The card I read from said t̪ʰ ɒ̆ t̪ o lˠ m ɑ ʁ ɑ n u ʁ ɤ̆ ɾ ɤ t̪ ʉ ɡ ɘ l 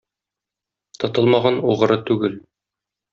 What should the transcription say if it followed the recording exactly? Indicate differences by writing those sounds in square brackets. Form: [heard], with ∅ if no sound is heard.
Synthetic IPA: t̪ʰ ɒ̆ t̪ [ɤ] lˠ m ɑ ʁ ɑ n u ʁ ɤ̆ ɾ ɤ t̪ ʉ ɡ ɘ l

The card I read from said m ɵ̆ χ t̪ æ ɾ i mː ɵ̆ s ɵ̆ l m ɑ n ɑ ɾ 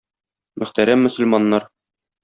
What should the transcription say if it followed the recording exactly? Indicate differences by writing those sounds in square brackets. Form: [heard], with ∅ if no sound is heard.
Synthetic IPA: m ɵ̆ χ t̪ æ ɾ [æ] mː ɵ̆ s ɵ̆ l m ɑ [nː] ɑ ɾ

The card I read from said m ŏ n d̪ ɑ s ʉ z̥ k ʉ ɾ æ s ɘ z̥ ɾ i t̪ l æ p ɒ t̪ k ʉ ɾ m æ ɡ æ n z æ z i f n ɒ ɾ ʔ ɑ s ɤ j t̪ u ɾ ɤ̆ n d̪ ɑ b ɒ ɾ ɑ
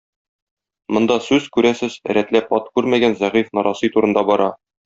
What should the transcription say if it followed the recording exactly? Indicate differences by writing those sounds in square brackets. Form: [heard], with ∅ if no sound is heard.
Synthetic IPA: m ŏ n d̪ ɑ s ʉ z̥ k ʉ ɾ æ s ɘ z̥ ɾ [æ] t̪ l æ p ɒ t̪ k ʉ ɾ m æ ɡ æ n z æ [ʁ] i f n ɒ ɾ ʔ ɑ s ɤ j t̪ u ɾ ɤ̆ n d̪ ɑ b ɒ ɾ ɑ

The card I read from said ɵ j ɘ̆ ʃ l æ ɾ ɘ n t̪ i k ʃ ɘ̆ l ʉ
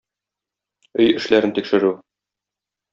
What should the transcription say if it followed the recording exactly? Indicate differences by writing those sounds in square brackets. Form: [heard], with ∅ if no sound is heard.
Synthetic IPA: ɵ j ɘ̆ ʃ l æ ɾ ɘ n t̪ i k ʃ ɘ̆ [ɾ] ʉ

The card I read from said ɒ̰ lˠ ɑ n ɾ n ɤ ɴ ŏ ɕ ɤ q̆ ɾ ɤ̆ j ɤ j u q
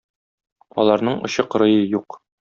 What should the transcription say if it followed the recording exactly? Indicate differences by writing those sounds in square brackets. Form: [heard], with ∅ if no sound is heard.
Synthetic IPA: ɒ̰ lˠ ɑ [∅] ɾ n ɤ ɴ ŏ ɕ ɤ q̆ ɾ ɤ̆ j ɤ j u q

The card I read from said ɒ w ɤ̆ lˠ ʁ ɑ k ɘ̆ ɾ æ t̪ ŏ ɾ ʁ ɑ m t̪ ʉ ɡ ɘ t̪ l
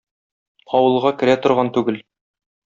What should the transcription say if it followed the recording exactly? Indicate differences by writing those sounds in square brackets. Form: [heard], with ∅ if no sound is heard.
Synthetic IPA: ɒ w ɤ̆ lˠ ʁ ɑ k ɘ̆ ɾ æ t̪ ŏ ɾ ʁ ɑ [n] t̪ ʉ ɡ ɘ [∅] l

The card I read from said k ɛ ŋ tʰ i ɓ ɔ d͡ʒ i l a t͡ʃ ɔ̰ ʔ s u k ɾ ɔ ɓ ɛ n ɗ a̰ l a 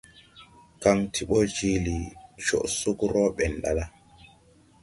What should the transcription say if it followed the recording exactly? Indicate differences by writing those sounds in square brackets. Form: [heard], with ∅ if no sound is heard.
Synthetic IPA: k [a] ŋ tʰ i ɓ ɔ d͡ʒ i l [i] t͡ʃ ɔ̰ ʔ s u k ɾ ɔ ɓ ɛ n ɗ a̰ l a

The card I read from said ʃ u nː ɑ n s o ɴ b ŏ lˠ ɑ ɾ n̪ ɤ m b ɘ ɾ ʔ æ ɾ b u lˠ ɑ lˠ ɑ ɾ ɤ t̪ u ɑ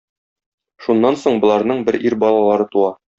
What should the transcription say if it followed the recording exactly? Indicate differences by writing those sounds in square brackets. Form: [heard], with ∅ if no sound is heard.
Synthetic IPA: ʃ u nː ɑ n s o ɴ b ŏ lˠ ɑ ɾ n̪ ɤ [ɴ] b ɘ ɾ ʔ [i] ɾ b [ɒ] lˠ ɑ lˠ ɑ ɾ ɤ t̪ u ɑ

